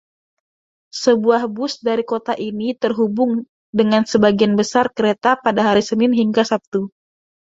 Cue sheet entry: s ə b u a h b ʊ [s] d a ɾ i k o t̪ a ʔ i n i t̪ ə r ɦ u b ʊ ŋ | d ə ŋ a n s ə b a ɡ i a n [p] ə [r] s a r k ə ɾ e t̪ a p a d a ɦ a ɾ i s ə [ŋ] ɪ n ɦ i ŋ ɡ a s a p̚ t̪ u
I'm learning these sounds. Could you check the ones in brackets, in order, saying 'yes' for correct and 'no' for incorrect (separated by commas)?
yes, no, no, no